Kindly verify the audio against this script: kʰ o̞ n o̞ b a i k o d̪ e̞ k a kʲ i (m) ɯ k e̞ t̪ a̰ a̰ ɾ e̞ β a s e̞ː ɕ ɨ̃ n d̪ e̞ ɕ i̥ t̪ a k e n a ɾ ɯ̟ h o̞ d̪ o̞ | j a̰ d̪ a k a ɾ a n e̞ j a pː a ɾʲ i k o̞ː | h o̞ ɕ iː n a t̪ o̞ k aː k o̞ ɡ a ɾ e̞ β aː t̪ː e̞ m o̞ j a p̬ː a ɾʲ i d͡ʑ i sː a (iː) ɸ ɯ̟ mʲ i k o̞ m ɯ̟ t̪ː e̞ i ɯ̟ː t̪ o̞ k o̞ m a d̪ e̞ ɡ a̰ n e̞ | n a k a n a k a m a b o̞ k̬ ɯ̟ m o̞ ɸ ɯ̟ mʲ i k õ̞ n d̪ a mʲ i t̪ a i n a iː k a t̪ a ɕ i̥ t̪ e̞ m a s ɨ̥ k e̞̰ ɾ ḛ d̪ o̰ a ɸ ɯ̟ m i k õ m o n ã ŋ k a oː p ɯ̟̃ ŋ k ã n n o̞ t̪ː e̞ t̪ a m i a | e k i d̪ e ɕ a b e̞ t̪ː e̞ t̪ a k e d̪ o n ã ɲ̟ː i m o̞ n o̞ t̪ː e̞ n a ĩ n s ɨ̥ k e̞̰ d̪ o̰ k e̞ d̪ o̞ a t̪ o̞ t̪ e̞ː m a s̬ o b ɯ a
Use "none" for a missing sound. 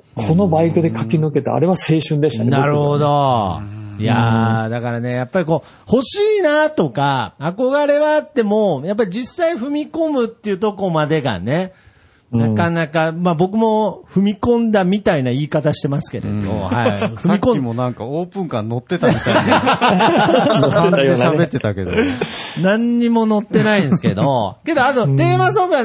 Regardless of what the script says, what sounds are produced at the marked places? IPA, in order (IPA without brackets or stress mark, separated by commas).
n, i